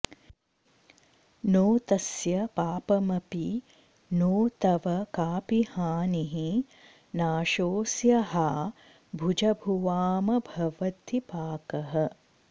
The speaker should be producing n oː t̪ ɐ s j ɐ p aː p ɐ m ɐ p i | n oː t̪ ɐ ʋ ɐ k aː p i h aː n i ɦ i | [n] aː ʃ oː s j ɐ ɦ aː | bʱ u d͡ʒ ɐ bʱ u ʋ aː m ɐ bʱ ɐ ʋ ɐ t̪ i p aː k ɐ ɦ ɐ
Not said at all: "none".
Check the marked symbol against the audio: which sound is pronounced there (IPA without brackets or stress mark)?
n